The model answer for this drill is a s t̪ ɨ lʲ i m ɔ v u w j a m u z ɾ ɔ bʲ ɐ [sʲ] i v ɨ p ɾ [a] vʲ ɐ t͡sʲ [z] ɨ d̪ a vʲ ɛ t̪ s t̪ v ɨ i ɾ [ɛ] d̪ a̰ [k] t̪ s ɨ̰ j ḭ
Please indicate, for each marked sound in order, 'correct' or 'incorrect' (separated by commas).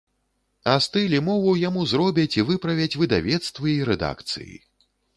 incorrect, incorrect, incorrect, correct, correct